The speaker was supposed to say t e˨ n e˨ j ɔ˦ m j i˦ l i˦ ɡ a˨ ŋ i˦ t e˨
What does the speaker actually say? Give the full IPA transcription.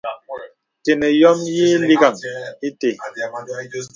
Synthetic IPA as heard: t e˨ n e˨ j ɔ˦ m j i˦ l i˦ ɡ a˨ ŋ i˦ t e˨